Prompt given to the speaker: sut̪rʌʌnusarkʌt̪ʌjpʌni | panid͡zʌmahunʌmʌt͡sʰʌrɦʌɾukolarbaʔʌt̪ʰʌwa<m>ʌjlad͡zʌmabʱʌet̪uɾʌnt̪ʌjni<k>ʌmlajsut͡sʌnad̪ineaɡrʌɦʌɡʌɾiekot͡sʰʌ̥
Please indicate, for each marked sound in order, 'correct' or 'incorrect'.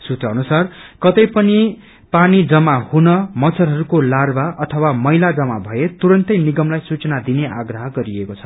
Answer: correct, incorrect

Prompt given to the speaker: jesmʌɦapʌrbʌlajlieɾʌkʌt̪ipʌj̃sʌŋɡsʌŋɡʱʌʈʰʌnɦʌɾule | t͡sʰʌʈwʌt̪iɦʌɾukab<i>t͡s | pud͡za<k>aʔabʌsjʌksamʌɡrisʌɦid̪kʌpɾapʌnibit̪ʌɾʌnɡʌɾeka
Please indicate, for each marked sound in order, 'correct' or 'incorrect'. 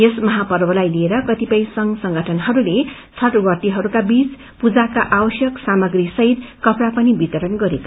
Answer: correct, correct

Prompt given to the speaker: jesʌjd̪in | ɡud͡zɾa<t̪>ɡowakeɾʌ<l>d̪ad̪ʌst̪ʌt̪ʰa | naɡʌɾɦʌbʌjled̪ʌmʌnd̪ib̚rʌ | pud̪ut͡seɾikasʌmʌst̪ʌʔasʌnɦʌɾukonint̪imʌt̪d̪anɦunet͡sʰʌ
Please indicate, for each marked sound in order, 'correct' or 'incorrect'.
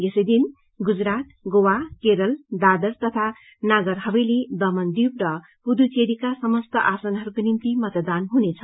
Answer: correct, correct

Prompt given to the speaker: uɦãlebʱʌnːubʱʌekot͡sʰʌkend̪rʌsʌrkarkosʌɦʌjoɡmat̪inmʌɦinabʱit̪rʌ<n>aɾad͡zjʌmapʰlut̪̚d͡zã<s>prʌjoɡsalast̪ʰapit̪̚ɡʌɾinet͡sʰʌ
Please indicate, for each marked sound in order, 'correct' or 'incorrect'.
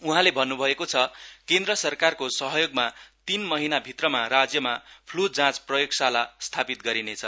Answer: incorrect, incorrect

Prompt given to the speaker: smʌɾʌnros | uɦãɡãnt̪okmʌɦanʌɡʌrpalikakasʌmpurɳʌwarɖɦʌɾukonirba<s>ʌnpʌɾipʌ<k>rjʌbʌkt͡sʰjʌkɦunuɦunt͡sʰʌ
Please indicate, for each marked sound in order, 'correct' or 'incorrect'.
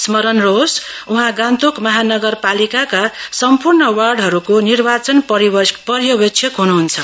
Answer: incorrect, incorrect

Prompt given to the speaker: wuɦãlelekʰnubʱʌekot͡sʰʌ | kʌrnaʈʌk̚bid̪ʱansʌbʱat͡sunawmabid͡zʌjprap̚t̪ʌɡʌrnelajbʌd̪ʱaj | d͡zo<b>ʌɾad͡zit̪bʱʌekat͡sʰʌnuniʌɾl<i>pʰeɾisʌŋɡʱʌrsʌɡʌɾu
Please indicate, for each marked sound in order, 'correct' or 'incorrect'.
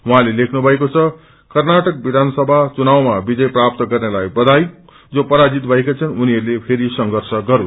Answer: incorrect, incorrect

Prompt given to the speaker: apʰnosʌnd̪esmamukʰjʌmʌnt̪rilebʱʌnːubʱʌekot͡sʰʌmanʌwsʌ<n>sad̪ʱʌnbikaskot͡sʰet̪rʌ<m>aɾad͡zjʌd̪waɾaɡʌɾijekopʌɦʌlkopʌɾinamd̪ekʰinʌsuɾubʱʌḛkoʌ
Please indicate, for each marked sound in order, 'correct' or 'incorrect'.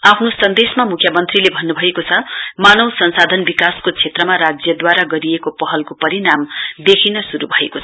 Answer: correct, correct

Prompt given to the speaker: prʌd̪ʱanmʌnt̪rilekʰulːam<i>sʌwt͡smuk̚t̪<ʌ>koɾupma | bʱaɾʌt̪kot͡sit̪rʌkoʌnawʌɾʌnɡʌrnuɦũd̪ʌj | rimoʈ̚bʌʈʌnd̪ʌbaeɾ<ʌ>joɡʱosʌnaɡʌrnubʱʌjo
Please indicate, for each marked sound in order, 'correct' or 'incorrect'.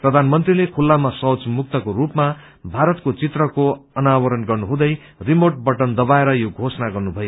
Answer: incorrect, correct, correct

